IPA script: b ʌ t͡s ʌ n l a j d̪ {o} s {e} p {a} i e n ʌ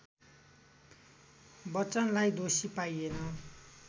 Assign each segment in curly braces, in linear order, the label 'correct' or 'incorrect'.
correct, incorrect: i, correct

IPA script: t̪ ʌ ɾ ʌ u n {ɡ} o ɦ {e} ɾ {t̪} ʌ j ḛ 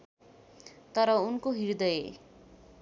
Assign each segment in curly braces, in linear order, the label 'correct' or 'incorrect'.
incorrect: k, incorrect: i, incorrect: d̪

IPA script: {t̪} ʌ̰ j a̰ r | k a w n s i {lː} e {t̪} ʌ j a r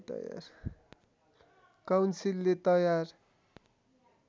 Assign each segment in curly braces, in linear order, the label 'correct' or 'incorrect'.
correct, correct, correct

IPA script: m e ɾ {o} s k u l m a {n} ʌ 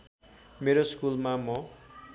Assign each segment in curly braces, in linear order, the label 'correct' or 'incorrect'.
correct, incorrect: m

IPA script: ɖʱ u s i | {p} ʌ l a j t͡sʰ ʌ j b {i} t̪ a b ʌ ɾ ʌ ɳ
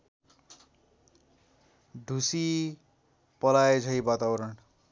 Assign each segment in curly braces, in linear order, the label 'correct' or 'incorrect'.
correct, incorrect: a

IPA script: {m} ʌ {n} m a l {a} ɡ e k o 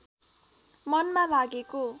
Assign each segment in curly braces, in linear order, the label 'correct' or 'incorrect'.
correct, correct, correct

